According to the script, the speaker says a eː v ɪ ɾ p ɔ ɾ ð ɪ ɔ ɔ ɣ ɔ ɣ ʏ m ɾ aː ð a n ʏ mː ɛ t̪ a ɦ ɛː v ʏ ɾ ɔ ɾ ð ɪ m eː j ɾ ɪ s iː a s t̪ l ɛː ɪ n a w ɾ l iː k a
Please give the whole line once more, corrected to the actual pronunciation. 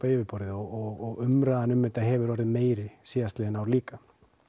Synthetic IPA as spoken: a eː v ɪ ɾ p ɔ ɾ ð ɪ ɔ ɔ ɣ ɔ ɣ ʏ m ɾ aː ð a n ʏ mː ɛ t̪ a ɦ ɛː v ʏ ɾ ɔ ɾ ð ɪ m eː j ɾ ɪ s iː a s t̪ l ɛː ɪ n a w ɾ l iː k a